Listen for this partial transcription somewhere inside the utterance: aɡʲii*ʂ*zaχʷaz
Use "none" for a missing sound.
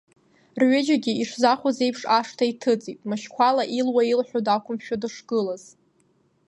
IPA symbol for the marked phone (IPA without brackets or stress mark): ʂ